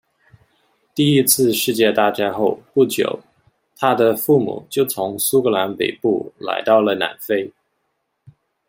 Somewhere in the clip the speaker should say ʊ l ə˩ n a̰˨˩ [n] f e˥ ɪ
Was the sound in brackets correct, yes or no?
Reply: yes